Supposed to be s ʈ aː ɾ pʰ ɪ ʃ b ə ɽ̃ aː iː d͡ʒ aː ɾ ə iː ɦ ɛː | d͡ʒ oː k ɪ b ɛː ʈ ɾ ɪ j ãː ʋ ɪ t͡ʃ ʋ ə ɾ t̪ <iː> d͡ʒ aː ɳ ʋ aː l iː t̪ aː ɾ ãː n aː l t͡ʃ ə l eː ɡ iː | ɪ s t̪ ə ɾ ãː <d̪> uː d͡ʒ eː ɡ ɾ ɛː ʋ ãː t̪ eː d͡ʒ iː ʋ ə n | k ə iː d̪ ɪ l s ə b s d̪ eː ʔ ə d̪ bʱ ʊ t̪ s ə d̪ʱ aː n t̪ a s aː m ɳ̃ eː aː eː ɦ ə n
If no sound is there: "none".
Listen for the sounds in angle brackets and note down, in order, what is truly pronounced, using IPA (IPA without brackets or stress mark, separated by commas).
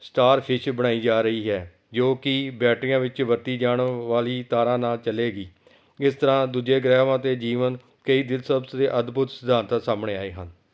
iː, d̪